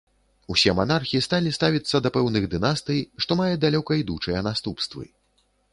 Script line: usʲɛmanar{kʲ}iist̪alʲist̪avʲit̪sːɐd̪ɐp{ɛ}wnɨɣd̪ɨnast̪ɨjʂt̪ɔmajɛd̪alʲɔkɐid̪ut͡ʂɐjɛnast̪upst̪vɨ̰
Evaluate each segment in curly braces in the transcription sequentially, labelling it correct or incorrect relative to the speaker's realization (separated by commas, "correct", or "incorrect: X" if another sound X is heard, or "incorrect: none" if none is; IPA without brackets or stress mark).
incorrect: xʲ, correct